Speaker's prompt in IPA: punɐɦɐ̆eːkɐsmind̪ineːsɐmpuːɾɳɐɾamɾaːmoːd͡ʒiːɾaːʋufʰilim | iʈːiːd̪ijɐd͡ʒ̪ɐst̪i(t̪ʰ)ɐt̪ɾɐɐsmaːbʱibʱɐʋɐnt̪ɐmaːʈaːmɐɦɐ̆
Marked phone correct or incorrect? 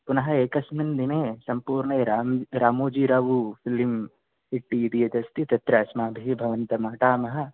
incorrect